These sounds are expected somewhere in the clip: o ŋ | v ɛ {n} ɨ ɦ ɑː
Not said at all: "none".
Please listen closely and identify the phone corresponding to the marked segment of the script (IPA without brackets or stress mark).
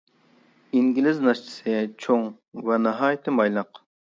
n